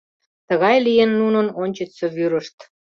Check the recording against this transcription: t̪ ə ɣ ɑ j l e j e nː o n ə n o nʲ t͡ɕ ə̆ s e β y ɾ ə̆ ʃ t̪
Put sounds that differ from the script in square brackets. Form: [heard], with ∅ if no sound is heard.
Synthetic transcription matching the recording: t̪ ə ɣ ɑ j l [i] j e nː [u] n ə n o nʲ t͡ɕ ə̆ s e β y ɾ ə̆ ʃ t̪